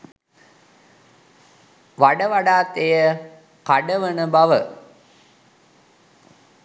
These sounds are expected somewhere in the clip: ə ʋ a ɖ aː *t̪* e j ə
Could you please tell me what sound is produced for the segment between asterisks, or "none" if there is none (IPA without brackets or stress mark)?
t̪